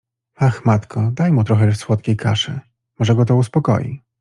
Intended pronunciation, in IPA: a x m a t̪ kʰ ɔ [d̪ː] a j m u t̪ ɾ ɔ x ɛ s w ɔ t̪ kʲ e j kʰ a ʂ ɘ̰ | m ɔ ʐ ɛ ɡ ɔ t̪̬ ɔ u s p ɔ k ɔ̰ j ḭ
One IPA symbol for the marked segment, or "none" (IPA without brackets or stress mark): d̪